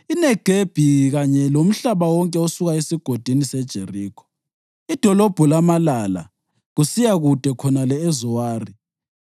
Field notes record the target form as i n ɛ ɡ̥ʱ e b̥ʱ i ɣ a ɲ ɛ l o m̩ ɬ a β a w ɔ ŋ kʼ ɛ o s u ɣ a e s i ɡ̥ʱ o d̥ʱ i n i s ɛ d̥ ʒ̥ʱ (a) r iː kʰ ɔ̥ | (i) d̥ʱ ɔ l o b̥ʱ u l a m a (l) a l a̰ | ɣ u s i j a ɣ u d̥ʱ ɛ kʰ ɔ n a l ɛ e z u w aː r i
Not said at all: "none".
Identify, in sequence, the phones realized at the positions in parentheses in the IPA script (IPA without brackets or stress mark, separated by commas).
e, i, l